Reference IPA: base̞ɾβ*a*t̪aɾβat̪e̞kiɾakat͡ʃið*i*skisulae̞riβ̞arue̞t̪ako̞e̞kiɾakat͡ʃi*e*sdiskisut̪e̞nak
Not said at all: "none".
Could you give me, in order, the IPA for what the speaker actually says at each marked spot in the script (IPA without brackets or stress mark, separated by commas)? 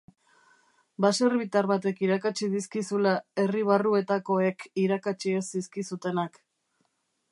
i, i, e